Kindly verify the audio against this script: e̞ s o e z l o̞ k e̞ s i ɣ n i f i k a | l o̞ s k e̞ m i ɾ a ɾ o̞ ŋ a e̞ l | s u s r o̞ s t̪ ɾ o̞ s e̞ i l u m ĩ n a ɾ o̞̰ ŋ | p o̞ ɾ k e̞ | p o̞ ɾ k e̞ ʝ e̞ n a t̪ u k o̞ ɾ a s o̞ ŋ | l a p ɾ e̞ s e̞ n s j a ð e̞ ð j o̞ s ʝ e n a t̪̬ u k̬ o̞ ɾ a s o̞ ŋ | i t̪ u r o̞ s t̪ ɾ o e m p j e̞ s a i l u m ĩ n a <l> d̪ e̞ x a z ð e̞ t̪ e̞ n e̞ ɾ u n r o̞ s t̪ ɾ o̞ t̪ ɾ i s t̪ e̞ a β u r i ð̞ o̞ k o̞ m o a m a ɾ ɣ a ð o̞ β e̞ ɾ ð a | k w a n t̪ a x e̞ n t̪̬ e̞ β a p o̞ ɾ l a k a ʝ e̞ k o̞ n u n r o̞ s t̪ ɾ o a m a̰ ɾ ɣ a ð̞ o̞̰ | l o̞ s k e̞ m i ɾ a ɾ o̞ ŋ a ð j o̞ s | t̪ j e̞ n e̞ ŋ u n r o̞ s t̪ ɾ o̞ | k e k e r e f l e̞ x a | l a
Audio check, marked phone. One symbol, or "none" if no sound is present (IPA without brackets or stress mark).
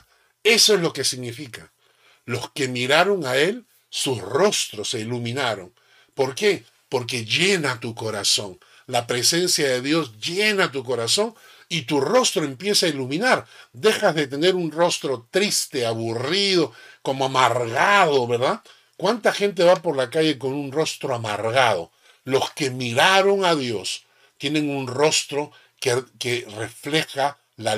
ɾ